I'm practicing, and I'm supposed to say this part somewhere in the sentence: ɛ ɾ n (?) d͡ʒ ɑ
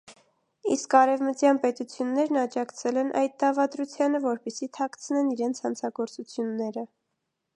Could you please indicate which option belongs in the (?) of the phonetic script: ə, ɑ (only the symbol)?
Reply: ɑ